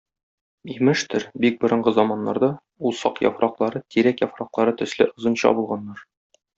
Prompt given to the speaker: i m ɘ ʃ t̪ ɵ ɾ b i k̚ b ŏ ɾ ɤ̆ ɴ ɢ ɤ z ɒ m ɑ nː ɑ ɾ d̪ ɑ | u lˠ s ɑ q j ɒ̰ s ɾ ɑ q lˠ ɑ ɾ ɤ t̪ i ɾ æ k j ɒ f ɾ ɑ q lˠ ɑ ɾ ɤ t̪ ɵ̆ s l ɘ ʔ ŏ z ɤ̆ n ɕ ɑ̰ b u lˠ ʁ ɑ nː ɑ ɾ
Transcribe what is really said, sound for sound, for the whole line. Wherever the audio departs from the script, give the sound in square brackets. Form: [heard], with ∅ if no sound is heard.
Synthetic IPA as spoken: i m ɘ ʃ t̪ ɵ ɾ b i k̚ b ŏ ɾ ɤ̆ ɴ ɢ ɤ z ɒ m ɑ nː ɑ ɾ d̪ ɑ | u lˠ s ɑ q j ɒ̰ [f] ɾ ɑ q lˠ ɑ ɾ ɤ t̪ i ɾ æ k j ɒ f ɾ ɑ q lˠ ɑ ɾ ɤ t̪ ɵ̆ s l ɘ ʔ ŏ z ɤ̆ n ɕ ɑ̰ b u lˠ ʁ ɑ nː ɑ ɾ